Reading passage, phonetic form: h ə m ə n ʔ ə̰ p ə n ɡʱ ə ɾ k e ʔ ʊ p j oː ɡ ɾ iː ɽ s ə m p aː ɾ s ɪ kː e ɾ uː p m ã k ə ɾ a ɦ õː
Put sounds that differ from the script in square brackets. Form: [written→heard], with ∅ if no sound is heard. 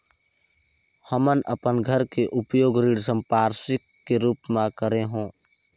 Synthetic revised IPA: h ə m ə n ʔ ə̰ p ə n ɡʱ ə ɾ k e ʔ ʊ p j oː ɡ ɾ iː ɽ s ə m p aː ɾ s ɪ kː e ɾ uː p m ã k ə ɾ [a→e] ɦ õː

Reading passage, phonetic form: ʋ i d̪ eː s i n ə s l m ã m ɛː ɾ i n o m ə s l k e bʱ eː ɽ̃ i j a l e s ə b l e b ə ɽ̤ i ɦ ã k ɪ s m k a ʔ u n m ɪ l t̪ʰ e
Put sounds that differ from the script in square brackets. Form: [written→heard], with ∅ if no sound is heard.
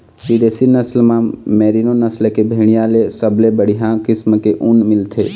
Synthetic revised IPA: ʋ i d̪ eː s i n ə s l m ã m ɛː ɾ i n o [m→n] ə s l k e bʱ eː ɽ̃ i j a l e s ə b l e b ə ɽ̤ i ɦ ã k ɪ s m k [a→e] ʔ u n m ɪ l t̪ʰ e

